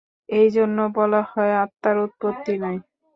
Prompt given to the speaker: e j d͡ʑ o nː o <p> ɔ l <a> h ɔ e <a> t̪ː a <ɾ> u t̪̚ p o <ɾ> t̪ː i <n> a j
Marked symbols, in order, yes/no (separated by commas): no, yes, yes, yes, no, yes